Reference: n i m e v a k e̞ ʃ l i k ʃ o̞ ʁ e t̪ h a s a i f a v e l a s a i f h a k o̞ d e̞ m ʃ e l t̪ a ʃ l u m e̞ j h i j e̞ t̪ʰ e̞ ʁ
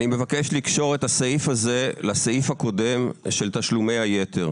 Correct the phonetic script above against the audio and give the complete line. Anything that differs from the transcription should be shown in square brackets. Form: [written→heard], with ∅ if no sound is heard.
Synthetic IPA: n i m e v a k e̞ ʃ l i k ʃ o̞ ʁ e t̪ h a s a i f a [v→z] e l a s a i f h a k o̞ d e̞ m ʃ e l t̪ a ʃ l u m e̞ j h [i→a] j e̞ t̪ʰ e̞ ʁ